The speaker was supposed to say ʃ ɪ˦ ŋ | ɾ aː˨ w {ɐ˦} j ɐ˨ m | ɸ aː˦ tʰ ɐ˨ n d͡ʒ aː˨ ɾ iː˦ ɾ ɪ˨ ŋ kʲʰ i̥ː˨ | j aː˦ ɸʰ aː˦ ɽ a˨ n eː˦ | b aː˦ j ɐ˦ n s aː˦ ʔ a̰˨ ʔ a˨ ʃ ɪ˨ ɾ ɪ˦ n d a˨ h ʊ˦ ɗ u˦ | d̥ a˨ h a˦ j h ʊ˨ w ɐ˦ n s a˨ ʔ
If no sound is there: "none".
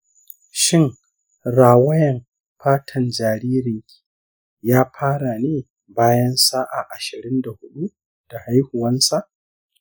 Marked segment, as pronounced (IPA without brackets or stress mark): ɐ˦